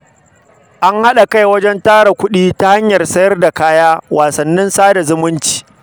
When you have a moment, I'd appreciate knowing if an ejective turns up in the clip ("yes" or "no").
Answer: no